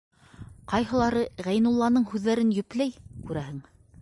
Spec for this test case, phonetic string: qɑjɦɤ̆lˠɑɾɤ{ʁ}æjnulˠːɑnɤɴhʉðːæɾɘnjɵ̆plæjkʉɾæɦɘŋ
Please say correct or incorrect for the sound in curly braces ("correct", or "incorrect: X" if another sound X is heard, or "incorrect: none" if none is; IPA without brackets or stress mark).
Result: correct